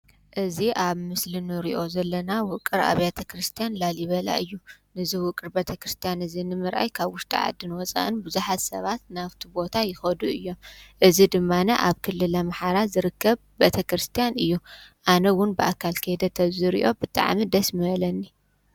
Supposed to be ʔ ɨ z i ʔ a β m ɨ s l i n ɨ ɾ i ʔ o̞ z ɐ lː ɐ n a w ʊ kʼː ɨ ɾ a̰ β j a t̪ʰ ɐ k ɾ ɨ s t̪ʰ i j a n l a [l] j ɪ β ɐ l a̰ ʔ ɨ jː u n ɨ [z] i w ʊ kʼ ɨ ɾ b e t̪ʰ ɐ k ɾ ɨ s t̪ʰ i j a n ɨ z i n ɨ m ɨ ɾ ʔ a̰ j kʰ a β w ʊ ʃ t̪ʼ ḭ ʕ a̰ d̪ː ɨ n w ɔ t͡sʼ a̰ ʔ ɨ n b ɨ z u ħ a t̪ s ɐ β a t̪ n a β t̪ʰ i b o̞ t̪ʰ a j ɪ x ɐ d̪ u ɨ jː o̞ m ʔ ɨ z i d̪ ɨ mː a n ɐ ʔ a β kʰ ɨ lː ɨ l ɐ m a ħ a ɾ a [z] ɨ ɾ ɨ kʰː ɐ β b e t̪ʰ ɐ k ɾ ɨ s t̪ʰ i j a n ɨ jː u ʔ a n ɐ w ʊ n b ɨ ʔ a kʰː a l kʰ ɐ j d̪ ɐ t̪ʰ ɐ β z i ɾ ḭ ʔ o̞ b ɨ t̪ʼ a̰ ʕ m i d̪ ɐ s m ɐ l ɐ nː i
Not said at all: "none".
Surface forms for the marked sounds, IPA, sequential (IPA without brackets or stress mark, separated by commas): l, z, z